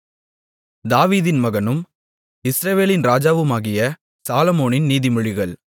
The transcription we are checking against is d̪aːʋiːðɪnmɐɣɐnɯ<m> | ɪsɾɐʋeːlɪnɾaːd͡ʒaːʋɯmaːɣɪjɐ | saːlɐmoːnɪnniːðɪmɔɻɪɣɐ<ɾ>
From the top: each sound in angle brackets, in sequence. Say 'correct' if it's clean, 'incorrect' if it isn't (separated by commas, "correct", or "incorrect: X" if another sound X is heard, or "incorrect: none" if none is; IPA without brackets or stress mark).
correct, incorrect: ɭ